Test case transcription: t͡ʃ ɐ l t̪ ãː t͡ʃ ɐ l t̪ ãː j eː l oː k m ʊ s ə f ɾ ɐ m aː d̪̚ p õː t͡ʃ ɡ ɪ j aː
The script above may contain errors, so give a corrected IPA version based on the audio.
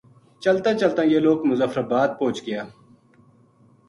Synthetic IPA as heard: t͡ʃ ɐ l t̪ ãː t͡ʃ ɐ l t̪ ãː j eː l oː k m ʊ z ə f ɾ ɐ b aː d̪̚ p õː t͡ʃ ɡ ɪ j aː